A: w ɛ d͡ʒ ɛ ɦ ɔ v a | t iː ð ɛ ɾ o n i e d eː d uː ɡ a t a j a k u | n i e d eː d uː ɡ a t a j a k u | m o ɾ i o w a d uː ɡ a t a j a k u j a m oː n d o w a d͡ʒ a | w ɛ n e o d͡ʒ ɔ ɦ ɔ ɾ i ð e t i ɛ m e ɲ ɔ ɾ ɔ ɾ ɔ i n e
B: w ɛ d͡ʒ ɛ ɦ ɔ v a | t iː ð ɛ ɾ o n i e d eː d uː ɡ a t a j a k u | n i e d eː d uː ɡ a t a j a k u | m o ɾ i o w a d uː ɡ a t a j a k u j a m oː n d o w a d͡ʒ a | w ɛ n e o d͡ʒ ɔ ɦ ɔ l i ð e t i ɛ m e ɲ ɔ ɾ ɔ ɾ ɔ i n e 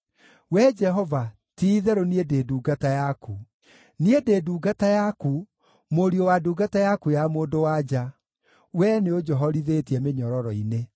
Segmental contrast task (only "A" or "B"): A